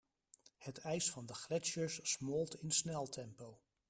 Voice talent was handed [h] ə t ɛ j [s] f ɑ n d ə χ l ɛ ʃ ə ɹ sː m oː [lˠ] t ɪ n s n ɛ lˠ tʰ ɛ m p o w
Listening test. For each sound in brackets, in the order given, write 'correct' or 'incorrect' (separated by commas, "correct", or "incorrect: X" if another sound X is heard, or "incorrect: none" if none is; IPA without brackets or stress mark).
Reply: correct, correct, correct